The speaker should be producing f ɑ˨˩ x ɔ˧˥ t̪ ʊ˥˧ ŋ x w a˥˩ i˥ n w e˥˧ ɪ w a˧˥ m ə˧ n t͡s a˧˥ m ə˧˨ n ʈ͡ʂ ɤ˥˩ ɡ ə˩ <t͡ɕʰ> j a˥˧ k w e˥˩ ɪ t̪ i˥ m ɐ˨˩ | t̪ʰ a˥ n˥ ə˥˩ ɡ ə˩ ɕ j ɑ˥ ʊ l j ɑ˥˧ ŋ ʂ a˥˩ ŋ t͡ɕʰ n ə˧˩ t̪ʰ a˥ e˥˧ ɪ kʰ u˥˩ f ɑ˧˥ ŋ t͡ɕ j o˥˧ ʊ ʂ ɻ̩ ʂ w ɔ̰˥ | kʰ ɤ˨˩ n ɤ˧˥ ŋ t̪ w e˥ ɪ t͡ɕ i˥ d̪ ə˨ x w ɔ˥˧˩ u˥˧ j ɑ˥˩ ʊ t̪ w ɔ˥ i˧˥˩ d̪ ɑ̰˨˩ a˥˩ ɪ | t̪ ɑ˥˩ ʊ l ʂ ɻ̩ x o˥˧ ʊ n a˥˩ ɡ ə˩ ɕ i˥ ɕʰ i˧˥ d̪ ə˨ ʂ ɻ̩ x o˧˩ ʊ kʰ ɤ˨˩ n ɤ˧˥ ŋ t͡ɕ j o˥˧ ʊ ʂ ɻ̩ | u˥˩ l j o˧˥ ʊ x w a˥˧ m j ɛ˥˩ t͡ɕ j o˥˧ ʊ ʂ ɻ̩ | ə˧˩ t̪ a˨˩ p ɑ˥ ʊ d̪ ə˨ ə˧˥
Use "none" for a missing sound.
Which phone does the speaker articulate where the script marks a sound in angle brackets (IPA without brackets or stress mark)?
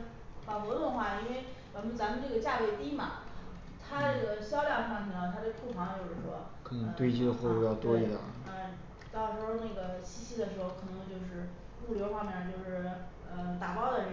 t͡ɕ